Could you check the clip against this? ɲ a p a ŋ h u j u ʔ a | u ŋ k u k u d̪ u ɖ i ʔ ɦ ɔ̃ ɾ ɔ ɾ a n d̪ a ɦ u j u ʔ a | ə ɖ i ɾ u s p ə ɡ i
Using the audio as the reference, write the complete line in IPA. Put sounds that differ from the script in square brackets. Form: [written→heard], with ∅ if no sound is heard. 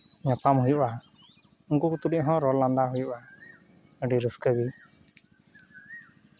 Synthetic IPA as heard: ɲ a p a [ŋ→m] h u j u ʔ a | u ŋ k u k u [d̪→t̪] u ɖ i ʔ ɦ ɔ̃ ɾ ɔ [ɾ→l] a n d̪ a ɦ u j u ʔ a | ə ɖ i ɾ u s [p→k] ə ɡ i